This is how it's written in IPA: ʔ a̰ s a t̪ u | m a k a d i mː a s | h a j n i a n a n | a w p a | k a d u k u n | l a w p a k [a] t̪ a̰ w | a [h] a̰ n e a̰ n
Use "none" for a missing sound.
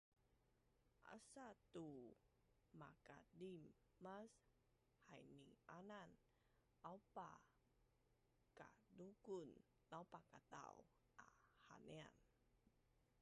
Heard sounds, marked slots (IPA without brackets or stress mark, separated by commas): a, h